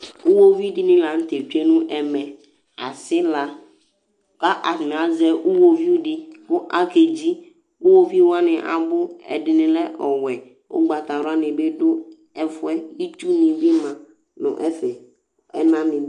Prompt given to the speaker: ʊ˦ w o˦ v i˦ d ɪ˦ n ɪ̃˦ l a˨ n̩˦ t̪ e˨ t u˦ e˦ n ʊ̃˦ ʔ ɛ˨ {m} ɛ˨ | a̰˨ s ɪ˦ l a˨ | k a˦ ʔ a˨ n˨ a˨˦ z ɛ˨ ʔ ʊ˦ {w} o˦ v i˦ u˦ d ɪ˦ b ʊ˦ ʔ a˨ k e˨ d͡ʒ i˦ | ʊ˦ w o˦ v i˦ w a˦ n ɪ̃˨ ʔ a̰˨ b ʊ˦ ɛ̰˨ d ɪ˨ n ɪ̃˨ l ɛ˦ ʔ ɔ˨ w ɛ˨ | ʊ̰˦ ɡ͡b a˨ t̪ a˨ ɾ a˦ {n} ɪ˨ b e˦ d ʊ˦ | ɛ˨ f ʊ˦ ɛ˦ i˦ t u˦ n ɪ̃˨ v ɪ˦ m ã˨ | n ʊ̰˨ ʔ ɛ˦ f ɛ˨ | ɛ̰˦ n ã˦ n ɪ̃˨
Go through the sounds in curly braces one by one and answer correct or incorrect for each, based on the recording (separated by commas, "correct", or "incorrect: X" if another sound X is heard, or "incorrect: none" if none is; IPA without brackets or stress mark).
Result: correct, correct, correct